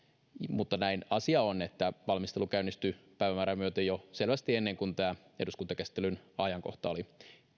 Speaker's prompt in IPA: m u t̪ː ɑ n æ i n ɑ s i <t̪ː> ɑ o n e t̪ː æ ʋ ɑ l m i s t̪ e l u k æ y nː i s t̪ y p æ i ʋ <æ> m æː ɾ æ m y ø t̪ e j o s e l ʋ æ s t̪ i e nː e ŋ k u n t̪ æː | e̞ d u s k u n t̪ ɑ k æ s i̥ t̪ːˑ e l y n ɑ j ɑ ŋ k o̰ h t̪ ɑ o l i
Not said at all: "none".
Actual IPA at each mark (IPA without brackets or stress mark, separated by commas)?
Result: none, æ